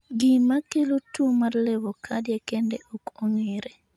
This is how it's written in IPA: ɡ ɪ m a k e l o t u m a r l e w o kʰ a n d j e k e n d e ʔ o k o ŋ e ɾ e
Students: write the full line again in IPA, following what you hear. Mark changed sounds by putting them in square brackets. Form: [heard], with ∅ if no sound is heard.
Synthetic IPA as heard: ɡ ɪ m a k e l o t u m a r l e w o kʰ a [∅] d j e k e n d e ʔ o k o ŋ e ɾ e